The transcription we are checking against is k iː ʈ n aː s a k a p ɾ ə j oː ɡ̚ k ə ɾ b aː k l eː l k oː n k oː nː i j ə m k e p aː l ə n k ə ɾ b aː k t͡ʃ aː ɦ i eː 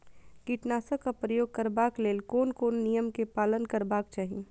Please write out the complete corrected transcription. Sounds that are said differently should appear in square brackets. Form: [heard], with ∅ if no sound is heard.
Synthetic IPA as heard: k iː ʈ n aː s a k a p ɾ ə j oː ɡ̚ k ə ɾ b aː k l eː l k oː n k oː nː i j ə m k e p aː l ə n k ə ɾ b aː k t͡ʃ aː ɦ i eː